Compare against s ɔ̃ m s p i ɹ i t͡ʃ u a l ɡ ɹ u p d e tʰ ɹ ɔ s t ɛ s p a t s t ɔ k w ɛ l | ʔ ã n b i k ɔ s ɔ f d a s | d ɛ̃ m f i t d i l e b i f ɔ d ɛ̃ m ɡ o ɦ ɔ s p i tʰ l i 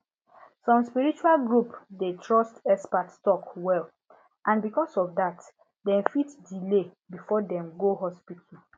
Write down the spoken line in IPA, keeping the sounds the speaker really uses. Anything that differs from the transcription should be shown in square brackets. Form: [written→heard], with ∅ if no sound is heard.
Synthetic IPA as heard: s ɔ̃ m s p i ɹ i t͡ʃ u a l ɡ ɹ u p d e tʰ ɹ ɔ s t ɛ s p a t s t ɔ k w ɛ l | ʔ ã n b i k ɔ s ɔ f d a [s→t] | d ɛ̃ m f i t d i l e b i f ɔ d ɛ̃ m ɡ o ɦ ɔ s p i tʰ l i

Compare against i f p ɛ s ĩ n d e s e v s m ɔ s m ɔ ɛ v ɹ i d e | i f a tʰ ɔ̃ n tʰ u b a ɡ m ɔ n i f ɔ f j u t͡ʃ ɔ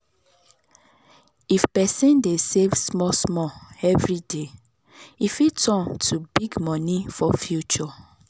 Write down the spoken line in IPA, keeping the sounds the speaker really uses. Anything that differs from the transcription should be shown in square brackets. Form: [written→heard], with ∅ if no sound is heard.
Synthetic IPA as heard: i f p ɛ s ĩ n d e s e v s m ɔ s m ɔ ɛ v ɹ i d e | i f [a→i] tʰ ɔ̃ n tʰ u b [a→i] ɡ m ɔ n i f ɔ f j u t͡ʃ ɔ

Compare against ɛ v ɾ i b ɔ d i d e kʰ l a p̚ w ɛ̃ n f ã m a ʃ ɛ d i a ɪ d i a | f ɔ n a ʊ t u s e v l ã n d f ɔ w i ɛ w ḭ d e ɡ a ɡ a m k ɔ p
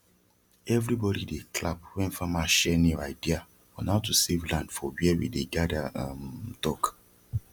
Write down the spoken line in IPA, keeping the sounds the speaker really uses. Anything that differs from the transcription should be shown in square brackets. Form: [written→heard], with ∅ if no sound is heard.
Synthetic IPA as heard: ɛ v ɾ i b ɔ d i d e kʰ l a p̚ w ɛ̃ n f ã m a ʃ ɛ [d→n] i a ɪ d i a | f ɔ n a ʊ t u s e v l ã n d f ɔ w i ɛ w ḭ d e ɡ a [ɡ→d] a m [k→t] ɔ [p→k]

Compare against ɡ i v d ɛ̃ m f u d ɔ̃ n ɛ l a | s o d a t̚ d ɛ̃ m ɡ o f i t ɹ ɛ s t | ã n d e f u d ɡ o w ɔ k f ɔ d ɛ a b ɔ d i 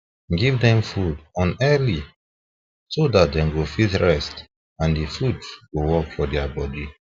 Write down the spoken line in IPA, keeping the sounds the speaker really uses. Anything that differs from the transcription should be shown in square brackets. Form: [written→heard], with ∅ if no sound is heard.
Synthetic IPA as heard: ɡ i v d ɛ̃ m f u d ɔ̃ n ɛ l [a→i] | s o d a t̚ d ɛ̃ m ɡ o f i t ɹ ɛ s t | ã n d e f u d ɡ o w ɔ k f ɔ d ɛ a b ɔ d i

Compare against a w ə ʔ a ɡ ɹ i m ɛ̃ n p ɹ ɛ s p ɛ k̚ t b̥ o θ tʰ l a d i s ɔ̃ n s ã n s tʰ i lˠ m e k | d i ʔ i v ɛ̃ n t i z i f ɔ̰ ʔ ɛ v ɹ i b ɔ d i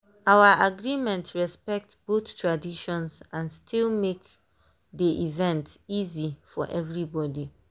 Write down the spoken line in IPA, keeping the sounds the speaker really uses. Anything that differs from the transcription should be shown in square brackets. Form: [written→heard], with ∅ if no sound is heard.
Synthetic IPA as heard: a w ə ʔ a ɡ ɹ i m ɛ̃ n [p→t] ɹ ɛ s p ɛ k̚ t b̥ o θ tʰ [l→ɹ] a d i [s→ʃ] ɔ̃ n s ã n s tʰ i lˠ m e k | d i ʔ i v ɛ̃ n t i z i f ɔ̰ ʔ ɛ v ɹ i b ɔ d i

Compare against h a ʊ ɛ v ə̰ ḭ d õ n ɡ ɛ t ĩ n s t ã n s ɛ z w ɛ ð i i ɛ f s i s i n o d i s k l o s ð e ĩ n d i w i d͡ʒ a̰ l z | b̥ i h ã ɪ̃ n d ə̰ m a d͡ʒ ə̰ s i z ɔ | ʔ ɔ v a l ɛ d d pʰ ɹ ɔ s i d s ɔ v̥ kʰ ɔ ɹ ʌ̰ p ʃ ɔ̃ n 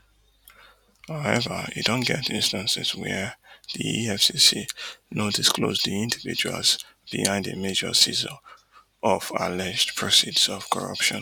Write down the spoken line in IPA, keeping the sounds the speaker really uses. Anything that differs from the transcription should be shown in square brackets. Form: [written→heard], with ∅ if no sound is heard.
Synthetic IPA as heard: h a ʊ ɛ v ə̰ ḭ d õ n ɡ ɛ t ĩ n s t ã n s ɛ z w ɛ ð i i ɛ f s i s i n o d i s k l o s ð [e→i] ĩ n d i [w→v] i d͡ʒ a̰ l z | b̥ i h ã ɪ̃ n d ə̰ m [a→e] d͡ʒ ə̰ s i z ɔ | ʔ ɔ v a l ɛ [d→d͡ʒ] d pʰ ɹ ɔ s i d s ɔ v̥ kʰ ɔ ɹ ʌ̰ p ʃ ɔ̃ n

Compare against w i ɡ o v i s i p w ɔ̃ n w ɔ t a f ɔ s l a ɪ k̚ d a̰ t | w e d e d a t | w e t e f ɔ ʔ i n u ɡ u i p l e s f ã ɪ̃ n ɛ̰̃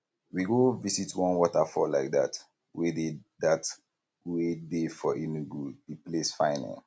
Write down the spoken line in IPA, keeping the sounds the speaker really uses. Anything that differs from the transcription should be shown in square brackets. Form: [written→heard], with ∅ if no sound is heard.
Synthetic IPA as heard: w i ɡ o v i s i [p→t] w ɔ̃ n w ɔ t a f ɔ [s→∅] l a ɪ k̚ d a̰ t | w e d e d a t | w e [t→d] e f ɔ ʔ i n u ɡ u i p l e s f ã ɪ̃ n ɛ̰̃

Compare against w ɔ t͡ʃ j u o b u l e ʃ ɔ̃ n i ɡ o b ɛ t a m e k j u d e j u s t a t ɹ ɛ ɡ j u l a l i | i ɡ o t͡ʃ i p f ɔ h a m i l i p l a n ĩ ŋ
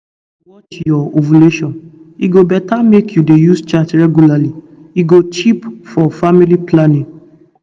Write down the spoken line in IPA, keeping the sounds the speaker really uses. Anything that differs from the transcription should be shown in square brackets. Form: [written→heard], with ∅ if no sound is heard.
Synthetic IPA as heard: w ɔ t͡ʃ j [u→ɔ] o [b→v] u l e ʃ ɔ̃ n i ɡ o b ɛ t a m e k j u d e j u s [t→t͡ʃ] a t ɹ ɛ ɡ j u l a l i | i ɡ o t͡ʃ i p f ɔ [h→f] a m i l i p l a n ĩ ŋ

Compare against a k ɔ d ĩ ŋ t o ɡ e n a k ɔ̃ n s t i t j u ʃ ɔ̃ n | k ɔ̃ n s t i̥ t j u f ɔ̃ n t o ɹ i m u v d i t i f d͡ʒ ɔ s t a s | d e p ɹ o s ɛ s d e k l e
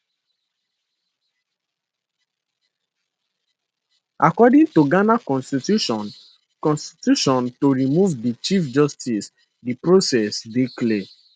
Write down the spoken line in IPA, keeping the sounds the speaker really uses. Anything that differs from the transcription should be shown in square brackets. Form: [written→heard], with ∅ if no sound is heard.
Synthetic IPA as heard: a k ɔ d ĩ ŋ t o ɡ [e→a] n a k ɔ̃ n s t i t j u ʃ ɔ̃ n | k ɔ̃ n s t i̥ t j u [f→ʃ] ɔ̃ n t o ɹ i m u v d i [t→t͡ʃ] i f d͡ʒ ɔ s t [a→i] s | d [e→i] p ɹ o s ɛ s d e k l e

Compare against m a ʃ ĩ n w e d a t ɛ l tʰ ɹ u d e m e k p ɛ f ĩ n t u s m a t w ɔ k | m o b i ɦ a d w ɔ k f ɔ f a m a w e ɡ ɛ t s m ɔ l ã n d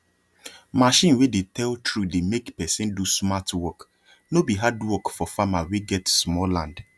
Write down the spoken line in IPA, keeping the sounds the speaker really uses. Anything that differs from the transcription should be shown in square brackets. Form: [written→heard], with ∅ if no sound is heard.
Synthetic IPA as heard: m a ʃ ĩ n w e d [a→e] t ɛ l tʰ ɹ u d e m e k p ɛ [f→s] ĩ n [t→d] u s m a t w ɔ k | [m→n] o b i ɦ a d w ɔ k f ɔ f a m a w e ɡ ɛ t s m ɔ l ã n d

